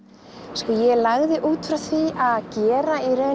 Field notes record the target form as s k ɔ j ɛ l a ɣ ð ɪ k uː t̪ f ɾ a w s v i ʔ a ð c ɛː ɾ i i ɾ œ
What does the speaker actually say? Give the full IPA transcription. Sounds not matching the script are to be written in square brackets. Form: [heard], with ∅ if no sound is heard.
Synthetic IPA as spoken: s k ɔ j ɛ l a ɣ ð ɪ [ʔ] uː t̪ f ɾ a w [θ] v i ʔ a ð c ɛː ɾ [a] i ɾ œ